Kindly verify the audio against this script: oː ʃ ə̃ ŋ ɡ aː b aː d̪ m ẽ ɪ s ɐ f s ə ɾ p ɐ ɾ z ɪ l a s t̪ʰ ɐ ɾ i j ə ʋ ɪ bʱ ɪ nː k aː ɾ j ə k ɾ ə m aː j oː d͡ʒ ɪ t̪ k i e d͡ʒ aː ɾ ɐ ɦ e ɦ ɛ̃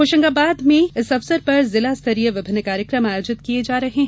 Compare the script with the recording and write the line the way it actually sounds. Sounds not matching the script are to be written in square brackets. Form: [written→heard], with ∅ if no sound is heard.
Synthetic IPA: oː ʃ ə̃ ŋ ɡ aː b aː d̪ m ẽ ɪ s ɐ f s ə ɾ p ɐ ɾ z ɪ l a s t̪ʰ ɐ ɾ i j ə ʋ ɪ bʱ ɪ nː k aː ɾ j ə k ɾ ə m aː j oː d͡ʒ ɪ t̪ k i e d͡ʒ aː ɾ ɐ ɦ e ɦ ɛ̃